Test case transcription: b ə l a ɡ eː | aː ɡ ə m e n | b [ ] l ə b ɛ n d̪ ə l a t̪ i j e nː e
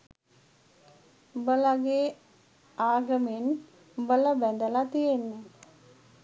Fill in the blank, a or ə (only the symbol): ə